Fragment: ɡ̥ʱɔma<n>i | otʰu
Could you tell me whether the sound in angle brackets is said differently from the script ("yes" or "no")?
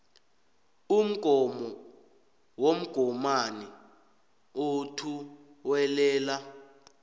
no